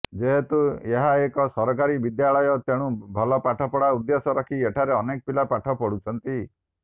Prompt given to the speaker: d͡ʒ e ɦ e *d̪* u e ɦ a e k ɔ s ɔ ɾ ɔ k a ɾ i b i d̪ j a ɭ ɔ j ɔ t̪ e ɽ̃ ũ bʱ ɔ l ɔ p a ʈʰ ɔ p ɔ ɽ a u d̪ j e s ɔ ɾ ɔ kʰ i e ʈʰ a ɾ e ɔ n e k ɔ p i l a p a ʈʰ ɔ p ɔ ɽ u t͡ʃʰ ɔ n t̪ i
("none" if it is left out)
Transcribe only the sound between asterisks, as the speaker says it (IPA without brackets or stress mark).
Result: t̪